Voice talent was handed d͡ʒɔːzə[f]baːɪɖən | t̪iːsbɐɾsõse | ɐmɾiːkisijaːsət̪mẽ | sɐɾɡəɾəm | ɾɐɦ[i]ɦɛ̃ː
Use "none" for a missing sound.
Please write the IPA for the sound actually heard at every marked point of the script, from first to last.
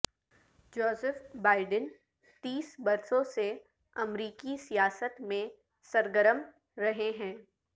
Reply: f, e

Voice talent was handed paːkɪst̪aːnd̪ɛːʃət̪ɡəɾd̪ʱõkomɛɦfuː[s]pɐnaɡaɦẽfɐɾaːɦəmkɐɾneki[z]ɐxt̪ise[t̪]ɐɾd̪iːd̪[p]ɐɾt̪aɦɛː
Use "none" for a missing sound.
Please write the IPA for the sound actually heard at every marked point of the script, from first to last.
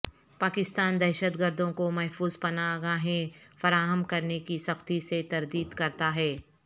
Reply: z, s, t̪, k

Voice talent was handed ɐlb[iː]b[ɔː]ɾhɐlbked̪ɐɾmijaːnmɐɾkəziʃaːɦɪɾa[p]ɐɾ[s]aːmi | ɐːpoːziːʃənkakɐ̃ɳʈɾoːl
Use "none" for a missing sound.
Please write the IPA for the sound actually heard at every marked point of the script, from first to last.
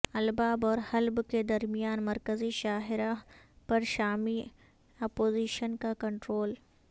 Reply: aː, ɔː, p, ʃ

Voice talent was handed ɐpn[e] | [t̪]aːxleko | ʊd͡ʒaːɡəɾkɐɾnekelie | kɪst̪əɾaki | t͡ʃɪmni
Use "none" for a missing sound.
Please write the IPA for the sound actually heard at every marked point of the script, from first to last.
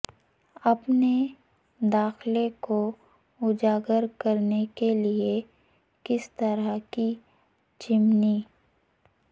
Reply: e, d̪

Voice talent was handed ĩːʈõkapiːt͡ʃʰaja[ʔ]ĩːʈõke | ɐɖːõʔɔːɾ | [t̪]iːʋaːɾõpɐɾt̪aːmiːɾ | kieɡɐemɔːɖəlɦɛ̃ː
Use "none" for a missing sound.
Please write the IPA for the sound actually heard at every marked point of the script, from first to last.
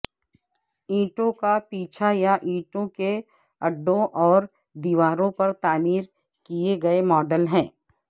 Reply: ʔ, d̪

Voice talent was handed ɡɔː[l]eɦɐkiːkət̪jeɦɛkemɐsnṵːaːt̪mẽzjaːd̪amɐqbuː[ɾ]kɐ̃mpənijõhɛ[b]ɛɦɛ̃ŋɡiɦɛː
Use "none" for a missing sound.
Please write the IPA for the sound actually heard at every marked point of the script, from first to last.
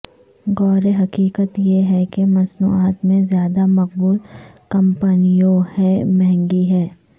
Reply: ɾ, l, m

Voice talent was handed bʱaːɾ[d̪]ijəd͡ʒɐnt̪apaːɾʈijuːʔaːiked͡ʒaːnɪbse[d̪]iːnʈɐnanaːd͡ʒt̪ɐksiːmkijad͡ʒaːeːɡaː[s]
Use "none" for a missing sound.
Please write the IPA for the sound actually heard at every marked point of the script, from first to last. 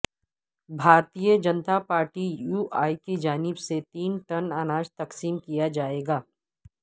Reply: t̪, t̪, none

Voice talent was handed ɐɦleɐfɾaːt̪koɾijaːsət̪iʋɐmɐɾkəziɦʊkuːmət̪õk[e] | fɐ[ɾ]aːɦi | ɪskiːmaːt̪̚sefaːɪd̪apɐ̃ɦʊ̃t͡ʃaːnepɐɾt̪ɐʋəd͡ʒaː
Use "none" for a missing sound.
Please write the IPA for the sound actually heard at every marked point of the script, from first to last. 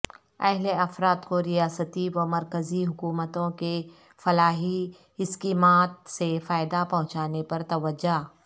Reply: e, l

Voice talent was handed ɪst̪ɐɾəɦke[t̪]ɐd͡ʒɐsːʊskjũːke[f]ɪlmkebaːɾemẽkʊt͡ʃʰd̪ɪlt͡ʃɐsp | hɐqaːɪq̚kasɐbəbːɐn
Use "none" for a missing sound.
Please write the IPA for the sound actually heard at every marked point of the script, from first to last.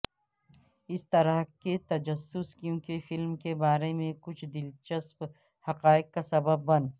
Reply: t̪, f

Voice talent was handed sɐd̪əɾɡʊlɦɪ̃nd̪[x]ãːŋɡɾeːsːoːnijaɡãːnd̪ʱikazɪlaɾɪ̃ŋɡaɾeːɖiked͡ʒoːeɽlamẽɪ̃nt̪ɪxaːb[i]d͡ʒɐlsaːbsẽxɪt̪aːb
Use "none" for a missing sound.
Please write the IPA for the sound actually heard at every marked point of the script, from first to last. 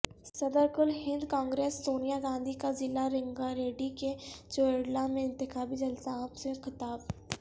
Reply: k, i

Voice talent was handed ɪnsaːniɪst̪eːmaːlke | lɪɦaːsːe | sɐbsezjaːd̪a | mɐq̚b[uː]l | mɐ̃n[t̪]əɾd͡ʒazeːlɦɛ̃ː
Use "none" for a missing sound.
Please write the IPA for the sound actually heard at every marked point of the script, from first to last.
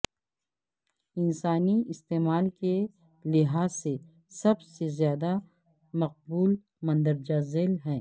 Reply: uː, d̪

